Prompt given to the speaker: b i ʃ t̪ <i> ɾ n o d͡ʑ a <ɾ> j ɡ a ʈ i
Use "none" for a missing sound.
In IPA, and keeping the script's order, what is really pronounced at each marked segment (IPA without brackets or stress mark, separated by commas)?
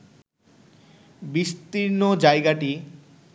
i, none